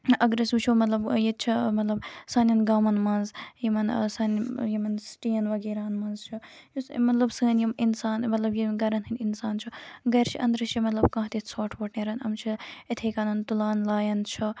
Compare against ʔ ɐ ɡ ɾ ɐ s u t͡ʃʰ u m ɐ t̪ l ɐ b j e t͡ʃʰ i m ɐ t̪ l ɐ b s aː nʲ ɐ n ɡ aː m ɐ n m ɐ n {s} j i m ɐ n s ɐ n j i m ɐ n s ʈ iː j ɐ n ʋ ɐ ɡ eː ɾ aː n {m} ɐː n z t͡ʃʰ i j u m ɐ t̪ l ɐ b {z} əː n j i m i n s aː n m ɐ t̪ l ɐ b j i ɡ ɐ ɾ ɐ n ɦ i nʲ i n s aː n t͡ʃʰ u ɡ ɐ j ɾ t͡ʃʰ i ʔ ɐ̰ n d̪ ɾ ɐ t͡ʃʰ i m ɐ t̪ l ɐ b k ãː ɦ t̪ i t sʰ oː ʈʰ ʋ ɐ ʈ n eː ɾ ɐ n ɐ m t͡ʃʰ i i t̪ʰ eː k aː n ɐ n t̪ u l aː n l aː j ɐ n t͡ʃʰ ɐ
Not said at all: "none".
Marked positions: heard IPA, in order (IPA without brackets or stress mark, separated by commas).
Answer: z, m, s